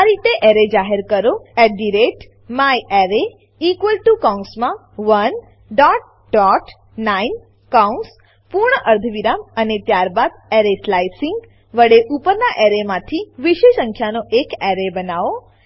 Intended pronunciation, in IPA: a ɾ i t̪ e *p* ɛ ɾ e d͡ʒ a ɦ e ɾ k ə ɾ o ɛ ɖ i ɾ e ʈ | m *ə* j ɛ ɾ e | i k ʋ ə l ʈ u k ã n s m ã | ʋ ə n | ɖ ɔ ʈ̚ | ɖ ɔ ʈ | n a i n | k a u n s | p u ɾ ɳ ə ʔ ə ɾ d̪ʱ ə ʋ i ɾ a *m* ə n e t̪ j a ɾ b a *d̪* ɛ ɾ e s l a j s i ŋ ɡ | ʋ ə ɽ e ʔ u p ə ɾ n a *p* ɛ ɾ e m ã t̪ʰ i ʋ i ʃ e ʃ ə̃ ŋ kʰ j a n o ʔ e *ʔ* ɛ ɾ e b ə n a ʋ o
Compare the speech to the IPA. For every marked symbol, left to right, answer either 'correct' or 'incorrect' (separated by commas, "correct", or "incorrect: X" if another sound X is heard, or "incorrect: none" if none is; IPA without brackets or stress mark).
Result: incorrect: ʔ, incorrect: a, correct, correct, incorrect: ʔ, incorrect: k